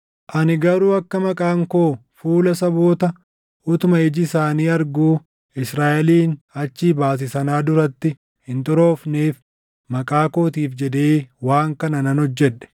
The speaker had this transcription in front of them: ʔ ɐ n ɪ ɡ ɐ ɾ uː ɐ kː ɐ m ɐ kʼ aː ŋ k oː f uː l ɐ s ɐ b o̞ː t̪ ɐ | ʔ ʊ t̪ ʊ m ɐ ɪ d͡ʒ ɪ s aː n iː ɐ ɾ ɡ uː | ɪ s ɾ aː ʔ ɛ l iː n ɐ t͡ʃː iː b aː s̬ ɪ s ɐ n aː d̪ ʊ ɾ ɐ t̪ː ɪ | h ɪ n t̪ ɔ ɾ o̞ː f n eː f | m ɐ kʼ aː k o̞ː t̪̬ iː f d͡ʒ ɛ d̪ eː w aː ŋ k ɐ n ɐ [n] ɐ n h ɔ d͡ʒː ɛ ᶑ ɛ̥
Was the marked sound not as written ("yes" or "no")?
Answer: no